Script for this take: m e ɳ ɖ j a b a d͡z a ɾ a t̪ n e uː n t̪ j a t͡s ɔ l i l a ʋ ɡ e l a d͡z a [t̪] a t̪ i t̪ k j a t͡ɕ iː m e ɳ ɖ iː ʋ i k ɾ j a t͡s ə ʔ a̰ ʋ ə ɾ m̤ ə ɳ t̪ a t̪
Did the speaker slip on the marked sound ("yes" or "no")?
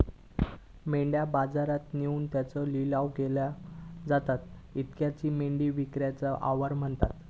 no